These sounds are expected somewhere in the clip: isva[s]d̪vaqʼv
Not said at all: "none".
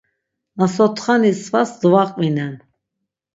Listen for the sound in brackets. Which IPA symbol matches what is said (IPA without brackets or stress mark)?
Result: s